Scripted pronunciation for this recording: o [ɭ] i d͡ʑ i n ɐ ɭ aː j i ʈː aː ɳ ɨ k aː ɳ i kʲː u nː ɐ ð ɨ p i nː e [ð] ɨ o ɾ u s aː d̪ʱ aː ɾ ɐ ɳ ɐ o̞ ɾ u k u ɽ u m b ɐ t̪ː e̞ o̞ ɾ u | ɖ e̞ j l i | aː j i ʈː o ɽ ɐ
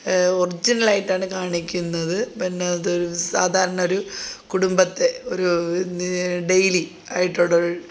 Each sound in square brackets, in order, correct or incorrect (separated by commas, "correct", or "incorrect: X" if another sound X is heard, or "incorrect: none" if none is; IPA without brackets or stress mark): incorrect: r, correct